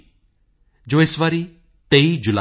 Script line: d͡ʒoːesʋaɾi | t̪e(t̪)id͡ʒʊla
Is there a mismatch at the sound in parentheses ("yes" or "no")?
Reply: yes